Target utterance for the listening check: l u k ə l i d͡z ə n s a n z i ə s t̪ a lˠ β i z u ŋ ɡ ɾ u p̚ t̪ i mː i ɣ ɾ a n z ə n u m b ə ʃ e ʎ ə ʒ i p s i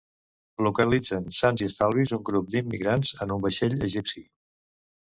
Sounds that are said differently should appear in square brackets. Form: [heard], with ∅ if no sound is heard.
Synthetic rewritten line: l u k ə l i d͡z ə n s a n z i ə s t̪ a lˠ β i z u ŋ ɡ ɾ u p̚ [d̪] i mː i ɣ ɾ a n z ə n u m b ə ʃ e ʎ ə ʒ i p s i